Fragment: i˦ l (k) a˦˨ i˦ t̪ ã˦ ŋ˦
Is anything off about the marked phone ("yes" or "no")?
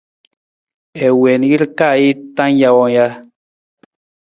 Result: no